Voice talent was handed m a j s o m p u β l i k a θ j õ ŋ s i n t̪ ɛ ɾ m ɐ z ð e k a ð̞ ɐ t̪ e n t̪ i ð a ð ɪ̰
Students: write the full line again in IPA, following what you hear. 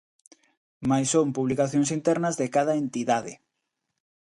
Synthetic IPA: m a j s o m p u β l i k a θ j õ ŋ s i n t̪ ɛ ɾ n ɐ z ð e k a ð̞ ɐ e n t̪ i ð a ð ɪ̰